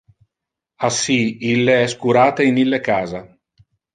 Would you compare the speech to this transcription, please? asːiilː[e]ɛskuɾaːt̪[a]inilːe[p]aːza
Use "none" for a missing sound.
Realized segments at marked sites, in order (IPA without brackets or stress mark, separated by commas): e, e, k